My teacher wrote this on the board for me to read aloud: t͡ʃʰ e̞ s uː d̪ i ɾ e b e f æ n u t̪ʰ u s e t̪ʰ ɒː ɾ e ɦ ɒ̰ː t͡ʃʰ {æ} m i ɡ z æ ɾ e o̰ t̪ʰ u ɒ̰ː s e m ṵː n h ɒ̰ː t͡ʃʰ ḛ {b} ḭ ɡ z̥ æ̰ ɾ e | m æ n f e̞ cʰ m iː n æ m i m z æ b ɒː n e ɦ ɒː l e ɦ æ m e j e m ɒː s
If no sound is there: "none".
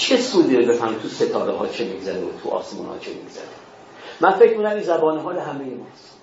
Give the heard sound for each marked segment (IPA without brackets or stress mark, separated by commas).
e, m